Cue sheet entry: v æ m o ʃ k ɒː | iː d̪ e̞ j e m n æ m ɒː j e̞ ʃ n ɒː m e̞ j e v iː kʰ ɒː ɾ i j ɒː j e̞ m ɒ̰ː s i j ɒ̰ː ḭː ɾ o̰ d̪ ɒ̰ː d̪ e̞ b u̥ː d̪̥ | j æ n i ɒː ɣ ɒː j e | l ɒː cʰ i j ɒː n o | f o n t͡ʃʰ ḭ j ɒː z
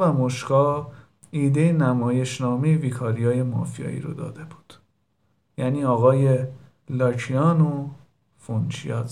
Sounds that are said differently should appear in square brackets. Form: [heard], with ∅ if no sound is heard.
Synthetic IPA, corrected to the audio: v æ m o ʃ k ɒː | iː d̪ e̞ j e [∅] n æ m ɒː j e̞ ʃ n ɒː m e̞ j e v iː kʰ ɒː ɾ i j ɒː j e̞ m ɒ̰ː [f] i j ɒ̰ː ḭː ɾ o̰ d̪ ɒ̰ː d̪ e̞ b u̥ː d̪̥ | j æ n [iː] ɒː ɣ ɒː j e | l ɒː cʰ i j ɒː n o | f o n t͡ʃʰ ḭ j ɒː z